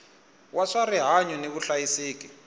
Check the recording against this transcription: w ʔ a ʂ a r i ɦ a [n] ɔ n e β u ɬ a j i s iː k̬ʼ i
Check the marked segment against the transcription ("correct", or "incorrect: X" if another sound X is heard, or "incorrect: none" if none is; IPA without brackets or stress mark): incorrect: ɲ